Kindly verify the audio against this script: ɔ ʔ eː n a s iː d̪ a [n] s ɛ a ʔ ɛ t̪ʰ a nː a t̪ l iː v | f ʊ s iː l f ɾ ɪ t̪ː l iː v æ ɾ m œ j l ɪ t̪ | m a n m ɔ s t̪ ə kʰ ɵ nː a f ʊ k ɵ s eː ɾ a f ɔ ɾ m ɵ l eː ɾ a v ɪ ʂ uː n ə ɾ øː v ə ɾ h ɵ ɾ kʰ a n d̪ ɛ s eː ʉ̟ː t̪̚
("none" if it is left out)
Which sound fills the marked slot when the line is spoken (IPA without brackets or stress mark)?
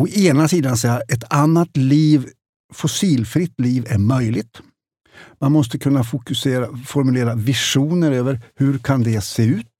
n